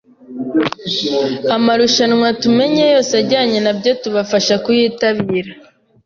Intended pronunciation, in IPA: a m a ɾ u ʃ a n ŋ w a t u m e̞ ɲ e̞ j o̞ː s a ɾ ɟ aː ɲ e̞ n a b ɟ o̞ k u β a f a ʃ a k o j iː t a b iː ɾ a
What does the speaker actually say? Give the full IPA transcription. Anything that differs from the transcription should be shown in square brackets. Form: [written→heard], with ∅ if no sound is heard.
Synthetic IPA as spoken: a m a ɾ u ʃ a n ŋ w a t u m e̞ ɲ e̞ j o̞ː s a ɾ ɟ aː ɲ e̞ n a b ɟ o̞ [k→t] u β a f a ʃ a k [o→u] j iː t a [b→β] iː ɾ a